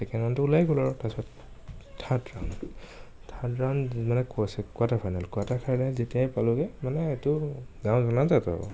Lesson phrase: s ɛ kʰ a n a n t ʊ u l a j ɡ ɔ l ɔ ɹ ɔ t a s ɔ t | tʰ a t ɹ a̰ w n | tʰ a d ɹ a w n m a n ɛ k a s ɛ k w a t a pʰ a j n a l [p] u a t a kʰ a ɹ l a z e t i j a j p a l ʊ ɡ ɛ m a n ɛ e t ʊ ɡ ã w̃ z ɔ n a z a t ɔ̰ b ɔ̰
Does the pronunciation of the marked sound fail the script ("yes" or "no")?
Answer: yes